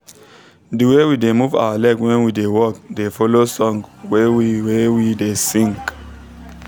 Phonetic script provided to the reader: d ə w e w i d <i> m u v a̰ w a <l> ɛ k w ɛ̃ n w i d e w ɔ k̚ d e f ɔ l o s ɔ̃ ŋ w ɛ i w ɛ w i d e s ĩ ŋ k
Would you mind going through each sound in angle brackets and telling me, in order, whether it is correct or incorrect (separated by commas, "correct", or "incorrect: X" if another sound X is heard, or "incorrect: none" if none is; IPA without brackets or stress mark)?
incorrect: e, correct